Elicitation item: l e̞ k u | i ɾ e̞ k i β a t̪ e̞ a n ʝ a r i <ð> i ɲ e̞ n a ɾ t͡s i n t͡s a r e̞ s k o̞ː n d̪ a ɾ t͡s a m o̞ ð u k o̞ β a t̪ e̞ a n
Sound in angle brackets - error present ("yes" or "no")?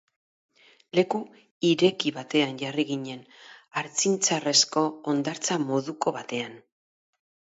yes